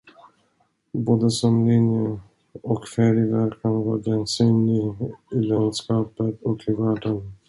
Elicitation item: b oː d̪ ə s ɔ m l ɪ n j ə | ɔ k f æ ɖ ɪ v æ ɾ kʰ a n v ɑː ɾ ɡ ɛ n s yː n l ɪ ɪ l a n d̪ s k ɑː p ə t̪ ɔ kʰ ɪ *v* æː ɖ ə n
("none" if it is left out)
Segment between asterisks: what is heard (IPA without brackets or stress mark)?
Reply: v